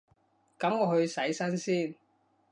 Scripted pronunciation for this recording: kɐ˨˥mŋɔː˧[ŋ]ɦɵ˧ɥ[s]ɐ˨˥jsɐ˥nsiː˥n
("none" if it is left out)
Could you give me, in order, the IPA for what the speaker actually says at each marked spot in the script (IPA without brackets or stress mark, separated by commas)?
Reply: none, s